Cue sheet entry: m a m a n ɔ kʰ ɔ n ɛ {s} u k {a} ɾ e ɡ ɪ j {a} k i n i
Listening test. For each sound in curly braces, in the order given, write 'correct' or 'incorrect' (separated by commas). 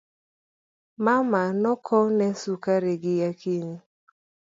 correct, correct, correct